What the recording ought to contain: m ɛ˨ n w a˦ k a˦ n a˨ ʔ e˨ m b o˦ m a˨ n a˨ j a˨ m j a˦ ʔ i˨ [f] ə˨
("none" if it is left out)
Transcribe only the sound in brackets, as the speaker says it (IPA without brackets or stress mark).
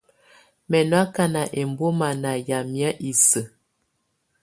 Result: s